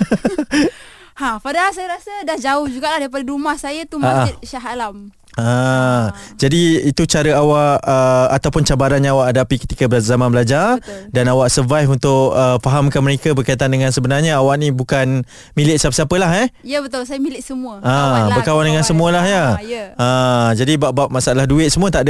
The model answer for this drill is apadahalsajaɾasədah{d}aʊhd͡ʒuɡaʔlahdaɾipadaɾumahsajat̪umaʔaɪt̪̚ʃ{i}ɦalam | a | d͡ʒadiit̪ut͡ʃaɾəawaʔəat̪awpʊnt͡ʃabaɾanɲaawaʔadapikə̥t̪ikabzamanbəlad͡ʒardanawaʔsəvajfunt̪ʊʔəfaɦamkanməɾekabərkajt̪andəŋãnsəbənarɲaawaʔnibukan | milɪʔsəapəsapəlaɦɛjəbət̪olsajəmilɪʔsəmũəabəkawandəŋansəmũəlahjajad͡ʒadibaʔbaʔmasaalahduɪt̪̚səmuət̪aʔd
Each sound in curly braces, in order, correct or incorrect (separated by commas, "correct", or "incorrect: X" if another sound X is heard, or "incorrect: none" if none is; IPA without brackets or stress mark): incorrect: d͡ʒ, incorrect: a